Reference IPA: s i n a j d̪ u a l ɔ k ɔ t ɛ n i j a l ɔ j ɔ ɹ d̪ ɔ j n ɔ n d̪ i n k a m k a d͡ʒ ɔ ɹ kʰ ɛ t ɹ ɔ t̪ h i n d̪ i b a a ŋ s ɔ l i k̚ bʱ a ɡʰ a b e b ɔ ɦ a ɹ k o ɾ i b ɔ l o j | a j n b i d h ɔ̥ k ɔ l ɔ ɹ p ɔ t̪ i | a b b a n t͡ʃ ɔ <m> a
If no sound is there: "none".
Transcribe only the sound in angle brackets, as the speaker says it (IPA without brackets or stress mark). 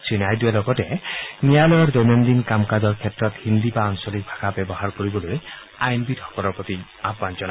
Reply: n